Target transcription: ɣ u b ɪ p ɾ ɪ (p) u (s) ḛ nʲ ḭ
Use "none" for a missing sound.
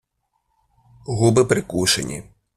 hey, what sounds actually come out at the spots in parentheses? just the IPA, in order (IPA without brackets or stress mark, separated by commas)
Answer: k, ʃ